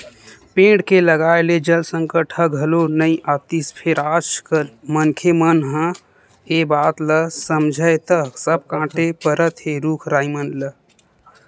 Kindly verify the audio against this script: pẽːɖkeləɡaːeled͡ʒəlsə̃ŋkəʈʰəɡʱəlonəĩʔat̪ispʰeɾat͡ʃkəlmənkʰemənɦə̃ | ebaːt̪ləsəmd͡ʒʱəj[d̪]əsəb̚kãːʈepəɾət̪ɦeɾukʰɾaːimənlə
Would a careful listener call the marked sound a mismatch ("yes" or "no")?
yes